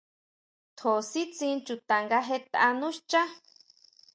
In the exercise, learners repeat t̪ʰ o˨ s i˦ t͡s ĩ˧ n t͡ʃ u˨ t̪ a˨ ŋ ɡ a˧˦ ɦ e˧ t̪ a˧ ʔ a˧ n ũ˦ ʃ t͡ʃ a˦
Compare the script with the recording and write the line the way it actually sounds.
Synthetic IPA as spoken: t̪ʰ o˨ s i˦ t͡s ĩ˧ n t͡ʃ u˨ t̪ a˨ ŋ ɡ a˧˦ ɦ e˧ t̪ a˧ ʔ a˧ n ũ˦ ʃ t͡ʃ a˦

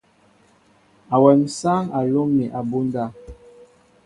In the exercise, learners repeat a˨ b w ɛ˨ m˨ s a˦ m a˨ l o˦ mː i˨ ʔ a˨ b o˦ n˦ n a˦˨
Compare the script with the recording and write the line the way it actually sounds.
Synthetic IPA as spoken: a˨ w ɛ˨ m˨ s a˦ ŋ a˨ l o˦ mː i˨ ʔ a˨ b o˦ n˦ d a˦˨

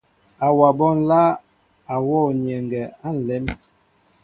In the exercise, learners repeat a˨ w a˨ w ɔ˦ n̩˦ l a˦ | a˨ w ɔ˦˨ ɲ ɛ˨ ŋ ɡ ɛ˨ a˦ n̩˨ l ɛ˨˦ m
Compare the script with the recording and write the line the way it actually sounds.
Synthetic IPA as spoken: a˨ w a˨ b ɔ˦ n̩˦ l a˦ | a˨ w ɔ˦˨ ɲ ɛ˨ ŋ ɡ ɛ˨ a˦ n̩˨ l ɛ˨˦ m

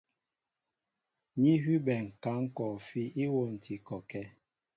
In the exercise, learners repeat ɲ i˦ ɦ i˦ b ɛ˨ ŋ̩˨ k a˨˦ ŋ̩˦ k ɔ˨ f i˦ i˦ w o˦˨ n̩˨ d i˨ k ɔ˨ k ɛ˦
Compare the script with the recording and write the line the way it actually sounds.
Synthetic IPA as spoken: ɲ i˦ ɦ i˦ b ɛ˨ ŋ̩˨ k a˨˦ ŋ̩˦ k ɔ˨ f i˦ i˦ w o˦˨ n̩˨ t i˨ k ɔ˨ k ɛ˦

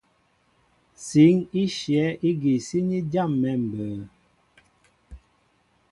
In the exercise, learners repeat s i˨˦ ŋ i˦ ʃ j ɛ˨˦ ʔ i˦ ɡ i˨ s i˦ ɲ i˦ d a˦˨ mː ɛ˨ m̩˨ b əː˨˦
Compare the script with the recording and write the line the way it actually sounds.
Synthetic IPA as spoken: s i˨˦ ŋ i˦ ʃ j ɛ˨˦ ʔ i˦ ɡ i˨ s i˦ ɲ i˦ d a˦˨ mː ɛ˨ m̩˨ b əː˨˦

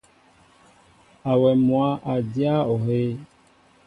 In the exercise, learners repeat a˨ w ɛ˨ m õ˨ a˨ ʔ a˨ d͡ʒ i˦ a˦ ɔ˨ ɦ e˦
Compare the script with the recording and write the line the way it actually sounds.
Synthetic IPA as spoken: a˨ w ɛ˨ m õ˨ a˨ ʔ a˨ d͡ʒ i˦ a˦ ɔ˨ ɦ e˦

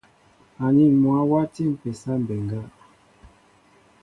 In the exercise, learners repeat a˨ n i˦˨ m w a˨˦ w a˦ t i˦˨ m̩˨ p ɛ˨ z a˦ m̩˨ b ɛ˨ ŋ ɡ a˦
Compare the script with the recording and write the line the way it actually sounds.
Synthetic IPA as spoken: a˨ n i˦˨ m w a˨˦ w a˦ t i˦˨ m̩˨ p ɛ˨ s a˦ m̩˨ b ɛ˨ ŋ ɡ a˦

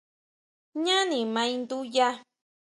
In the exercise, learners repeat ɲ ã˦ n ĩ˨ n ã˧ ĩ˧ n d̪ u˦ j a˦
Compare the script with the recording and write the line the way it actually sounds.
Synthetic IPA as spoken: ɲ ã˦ n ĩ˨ m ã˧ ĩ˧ n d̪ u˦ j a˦

